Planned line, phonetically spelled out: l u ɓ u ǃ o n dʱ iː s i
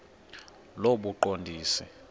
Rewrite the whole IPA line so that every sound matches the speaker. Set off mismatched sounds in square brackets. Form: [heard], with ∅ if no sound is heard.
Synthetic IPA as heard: l [o] ɓ u ǃ o n dʱ iː s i

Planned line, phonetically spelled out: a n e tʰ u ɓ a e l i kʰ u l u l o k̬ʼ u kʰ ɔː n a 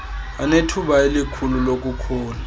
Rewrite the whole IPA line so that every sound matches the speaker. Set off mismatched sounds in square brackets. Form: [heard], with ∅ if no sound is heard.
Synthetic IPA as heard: a n e tʰ u ɓ a e l i kʰ u l u l o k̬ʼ u kʰ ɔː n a

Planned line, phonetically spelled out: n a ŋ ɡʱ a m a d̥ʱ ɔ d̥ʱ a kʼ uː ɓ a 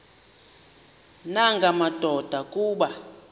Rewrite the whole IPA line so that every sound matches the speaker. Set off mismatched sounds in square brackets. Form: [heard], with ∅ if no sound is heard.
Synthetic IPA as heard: n a ŋ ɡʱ a m a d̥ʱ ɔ d̥ʱ a kʼ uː ɓ a

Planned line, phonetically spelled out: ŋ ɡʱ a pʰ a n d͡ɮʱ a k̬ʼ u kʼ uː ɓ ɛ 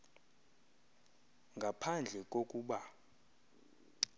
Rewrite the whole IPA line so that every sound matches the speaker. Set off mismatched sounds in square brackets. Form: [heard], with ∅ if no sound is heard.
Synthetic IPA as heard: ŋ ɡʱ a pʰ a n d͡ɮʱ [ɛ] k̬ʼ [o] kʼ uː ɓ [a]

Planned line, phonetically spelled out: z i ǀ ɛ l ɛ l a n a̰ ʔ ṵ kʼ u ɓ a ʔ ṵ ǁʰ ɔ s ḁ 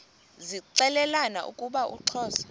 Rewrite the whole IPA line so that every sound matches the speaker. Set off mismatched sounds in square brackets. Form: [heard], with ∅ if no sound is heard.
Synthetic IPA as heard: z i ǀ ɛ l ɛ l a n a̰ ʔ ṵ kʼ u ɓ a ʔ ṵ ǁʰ [ɔː] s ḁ

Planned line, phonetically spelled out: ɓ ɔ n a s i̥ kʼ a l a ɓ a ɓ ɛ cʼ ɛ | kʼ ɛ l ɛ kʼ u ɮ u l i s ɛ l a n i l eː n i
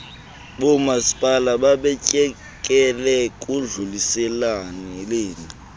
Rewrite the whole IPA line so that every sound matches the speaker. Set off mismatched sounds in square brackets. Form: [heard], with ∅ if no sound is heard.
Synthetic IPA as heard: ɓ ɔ [m] a s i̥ [pʼ] a l a ɓ a ɓ ɛ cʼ ɛ | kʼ ɛ l ɛ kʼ u ɮ u l i s ɛ l a n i l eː n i

